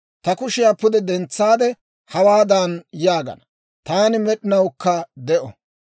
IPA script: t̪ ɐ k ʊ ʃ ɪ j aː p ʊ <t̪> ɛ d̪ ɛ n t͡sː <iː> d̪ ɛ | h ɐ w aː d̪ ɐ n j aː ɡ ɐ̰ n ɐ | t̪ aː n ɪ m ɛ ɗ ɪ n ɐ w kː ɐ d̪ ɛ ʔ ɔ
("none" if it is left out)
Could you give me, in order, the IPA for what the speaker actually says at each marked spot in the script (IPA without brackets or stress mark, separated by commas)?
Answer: d̪, aː